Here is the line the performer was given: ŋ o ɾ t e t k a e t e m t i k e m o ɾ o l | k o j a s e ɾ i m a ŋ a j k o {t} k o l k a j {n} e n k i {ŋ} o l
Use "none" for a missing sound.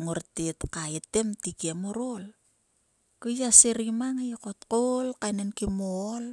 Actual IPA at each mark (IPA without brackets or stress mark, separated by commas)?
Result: t, n, m